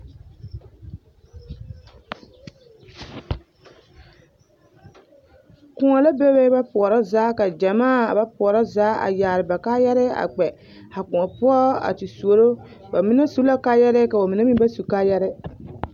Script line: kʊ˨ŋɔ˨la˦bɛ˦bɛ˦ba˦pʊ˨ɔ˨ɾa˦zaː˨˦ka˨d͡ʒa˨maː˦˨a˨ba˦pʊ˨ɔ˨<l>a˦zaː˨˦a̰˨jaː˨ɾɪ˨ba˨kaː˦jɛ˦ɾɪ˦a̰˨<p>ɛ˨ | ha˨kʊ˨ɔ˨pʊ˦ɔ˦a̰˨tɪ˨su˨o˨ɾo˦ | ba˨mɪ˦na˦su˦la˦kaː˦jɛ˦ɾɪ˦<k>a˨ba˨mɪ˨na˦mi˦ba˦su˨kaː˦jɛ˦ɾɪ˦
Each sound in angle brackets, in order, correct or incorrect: incorrect: ɾ, incorrect: k͡p, correct

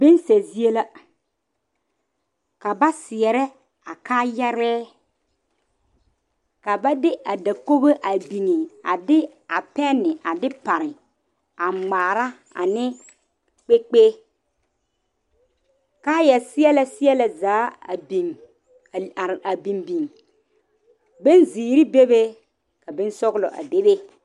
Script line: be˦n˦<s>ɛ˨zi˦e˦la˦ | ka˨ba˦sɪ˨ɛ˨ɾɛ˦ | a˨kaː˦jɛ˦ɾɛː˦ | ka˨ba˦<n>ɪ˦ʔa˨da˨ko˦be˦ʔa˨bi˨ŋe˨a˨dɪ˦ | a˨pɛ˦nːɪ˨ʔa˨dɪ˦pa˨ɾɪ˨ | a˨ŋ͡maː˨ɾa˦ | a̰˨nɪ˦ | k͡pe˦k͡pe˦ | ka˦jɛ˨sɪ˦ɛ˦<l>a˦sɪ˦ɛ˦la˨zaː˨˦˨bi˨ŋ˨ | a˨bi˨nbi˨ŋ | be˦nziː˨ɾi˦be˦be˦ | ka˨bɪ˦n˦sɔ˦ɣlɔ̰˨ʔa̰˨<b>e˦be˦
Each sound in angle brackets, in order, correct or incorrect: correct, incorrect: d, correct, incorrect: d

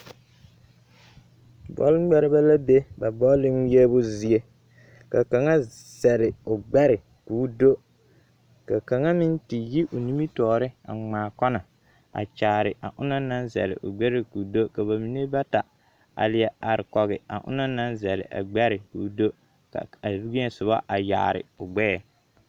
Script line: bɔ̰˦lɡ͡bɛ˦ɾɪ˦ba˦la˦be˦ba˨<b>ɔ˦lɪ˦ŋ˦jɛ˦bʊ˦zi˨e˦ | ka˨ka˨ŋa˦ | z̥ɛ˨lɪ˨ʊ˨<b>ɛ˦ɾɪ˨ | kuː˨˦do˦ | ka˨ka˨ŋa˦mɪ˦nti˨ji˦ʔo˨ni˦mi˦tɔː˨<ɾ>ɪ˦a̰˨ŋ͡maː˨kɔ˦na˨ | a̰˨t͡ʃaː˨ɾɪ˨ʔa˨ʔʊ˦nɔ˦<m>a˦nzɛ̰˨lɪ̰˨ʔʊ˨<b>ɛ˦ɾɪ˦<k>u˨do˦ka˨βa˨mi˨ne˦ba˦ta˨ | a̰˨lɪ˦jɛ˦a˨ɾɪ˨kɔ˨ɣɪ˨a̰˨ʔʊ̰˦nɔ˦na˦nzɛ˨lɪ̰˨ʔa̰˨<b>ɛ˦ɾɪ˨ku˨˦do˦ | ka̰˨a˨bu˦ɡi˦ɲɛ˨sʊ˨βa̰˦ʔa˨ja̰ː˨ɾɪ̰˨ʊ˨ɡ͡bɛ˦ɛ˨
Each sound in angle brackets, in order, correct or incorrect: correct, incorrect: ɡ͡b, correct, incorrect: n, incorrect: ɡ͡b, correct, incorrect: ɡ͡b

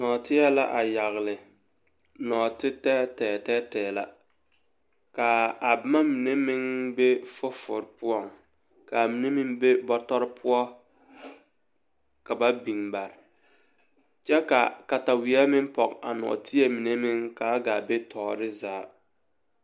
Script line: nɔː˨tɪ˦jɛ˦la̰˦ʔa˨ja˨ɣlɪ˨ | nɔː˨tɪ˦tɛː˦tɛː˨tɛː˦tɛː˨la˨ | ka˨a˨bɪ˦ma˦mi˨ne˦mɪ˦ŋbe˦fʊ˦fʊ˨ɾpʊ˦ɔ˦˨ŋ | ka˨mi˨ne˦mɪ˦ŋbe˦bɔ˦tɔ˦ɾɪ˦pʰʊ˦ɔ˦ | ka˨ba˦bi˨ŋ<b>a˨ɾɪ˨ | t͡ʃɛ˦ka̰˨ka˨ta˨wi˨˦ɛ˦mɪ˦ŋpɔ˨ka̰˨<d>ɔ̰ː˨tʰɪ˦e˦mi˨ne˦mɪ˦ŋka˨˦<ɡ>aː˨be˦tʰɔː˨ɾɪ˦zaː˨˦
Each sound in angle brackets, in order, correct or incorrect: correct, incorrect: n, correct

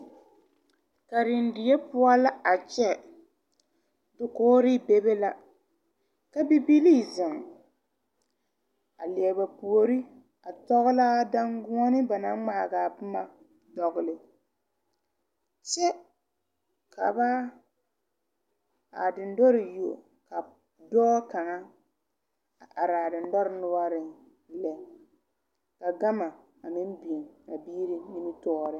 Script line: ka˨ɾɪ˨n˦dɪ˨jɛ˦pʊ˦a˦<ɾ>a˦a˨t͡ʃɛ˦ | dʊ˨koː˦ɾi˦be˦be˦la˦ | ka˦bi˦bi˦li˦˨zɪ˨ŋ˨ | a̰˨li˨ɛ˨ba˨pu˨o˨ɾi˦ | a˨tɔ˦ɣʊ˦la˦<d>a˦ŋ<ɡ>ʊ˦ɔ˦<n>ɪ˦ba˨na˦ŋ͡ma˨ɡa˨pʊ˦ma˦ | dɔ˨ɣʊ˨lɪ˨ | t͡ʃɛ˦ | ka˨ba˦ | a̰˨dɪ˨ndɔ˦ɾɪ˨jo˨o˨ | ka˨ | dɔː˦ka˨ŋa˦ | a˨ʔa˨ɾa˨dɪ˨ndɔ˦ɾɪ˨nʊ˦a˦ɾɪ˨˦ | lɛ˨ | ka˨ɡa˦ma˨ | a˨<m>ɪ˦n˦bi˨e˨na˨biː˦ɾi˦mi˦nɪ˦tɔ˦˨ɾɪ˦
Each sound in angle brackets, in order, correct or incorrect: incorrect: l, correct, correct, correct, correct

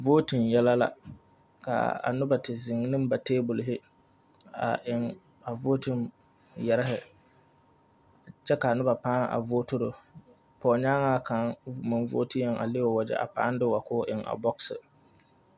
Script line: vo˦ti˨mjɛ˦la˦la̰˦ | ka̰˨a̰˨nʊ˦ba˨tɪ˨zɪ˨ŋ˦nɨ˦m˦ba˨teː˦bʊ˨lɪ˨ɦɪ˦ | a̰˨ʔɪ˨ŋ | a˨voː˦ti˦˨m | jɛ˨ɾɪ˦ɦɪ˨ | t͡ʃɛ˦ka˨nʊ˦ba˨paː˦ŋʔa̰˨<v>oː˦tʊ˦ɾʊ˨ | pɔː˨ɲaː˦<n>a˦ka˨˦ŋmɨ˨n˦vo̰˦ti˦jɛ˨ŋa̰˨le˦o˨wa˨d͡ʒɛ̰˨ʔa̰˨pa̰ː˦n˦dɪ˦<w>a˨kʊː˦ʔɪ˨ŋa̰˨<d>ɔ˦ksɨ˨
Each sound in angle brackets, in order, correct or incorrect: correct, incorrect: ŋ, correct, incorrect: b

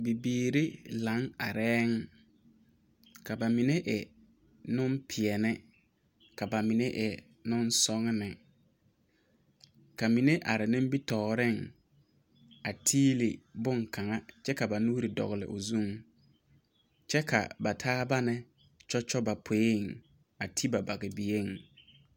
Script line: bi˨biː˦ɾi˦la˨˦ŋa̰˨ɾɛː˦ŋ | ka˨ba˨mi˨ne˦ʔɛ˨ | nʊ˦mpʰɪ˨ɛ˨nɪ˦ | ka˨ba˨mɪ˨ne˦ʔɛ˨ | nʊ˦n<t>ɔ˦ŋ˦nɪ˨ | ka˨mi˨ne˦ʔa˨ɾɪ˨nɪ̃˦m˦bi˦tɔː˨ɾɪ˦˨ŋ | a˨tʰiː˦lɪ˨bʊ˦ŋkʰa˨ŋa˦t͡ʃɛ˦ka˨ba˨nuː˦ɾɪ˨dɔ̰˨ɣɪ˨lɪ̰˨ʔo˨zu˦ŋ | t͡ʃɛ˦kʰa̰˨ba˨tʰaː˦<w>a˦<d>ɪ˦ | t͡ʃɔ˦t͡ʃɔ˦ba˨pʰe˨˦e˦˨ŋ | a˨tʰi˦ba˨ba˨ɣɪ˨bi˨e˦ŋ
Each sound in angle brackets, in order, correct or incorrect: incorrect: s, incorrect: b, incorrect: n

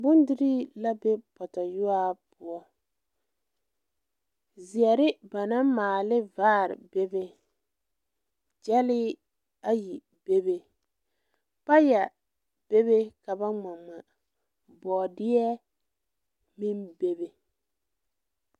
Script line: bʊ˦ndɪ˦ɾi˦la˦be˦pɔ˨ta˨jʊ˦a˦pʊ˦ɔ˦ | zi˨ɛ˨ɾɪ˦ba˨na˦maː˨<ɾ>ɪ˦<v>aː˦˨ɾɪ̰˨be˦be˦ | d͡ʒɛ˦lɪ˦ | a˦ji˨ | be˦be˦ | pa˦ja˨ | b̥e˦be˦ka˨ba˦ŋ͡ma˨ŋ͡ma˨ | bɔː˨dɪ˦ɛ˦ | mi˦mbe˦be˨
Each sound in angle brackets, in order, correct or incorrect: incorrect: l, correct

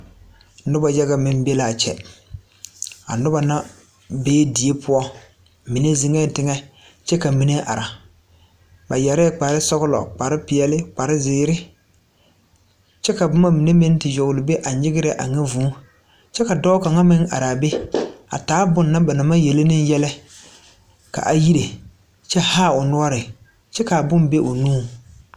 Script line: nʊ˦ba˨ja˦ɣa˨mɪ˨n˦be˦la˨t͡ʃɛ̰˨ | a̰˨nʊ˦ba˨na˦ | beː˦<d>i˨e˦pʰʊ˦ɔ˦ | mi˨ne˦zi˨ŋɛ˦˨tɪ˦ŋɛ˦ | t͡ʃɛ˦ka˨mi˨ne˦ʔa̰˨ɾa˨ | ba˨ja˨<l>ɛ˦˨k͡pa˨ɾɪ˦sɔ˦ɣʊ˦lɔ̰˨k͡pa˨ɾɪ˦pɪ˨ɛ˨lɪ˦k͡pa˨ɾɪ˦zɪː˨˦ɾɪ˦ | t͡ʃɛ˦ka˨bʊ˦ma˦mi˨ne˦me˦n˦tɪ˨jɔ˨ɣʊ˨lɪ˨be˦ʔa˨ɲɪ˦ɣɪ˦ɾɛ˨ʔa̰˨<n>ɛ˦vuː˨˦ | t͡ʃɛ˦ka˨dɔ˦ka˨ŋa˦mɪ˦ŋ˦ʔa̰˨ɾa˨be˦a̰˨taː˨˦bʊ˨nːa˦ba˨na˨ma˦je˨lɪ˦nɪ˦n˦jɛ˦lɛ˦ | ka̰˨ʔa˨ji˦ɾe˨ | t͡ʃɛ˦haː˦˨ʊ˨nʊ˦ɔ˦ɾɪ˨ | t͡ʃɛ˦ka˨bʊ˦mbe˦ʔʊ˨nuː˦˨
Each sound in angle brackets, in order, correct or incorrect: correct, incorrect: ɾ, incorrect: ŋ

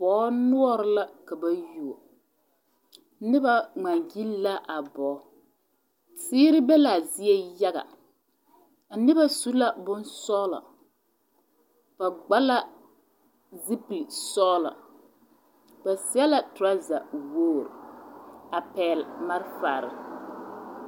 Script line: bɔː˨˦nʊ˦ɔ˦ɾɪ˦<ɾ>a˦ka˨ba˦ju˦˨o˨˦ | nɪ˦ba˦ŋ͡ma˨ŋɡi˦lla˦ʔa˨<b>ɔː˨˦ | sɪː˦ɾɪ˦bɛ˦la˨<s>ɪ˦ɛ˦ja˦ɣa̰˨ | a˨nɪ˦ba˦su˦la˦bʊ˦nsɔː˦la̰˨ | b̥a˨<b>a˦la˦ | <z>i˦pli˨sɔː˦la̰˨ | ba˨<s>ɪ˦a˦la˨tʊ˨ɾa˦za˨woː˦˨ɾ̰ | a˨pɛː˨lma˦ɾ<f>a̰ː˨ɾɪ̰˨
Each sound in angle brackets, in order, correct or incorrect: incorrect: l, correct, incorrect: z, incorrect: ɡ͡b, correct, correct, correct

